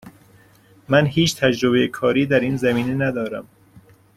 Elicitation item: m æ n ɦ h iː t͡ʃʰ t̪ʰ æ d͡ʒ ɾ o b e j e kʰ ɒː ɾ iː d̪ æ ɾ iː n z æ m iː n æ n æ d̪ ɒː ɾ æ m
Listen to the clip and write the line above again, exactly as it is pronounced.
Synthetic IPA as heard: m æ n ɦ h iː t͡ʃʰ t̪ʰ æ d͡ʒ ɾ o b e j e kʰ ɒː ɾ iː d̪ æ ɾ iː n z æ m iː n e n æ d̪ ɒː ɾ æ m